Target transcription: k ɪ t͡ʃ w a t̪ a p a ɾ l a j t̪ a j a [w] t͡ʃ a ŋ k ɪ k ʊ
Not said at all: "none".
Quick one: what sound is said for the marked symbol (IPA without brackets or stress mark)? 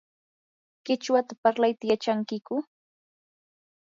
none